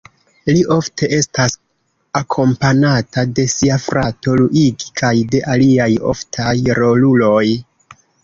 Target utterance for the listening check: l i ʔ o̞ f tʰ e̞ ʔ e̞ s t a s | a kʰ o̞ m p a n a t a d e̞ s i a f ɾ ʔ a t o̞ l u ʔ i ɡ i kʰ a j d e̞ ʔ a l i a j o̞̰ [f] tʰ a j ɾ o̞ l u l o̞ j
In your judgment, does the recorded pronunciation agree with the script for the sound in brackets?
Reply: yes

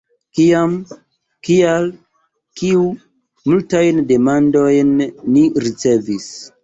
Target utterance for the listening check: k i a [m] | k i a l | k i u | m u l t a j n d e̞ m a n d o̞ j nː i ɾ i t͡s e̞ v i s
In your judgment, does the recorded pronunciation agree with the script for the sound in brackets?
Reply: yes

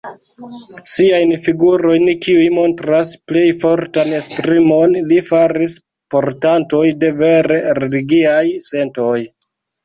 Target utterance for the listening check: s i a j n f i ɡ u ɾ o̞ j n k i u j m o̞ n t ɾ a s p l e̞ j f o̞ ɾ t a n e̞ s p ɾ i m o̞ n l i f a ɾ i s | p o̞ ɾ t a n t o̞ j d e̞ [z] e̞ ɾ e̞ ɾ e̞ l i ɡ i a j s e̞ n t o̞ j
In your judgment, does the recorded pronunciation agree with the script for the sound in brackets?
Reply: no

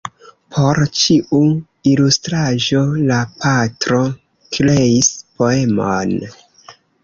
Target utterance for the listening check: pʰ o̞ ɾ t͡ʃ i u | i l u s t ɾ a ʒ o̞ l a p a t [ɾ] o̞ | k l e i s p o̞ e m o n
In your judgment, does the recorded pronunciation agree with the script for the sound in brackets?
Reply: yes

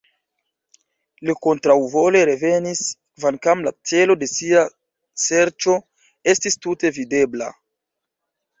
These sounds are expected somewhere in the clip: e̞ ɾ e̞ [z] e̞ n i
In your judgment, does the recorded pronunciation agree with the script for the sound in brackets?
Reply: no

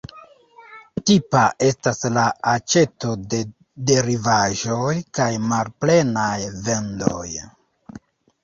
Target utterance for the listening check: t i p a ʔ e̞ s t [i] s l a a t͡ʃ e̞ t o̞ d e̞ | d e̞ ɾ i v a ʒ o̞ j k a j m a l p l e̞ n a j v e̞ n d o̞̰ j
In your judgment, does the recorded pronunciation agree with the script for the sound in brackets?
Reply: no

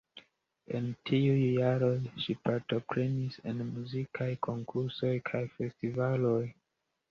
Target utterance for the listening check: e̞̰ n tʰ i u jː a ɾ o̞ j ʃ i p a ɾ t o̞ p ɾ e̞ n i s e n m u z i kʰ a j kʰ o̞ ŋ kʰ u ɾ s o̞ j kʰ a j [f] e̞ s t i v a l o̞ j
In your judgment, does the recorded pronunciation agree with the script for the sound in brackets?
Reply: yes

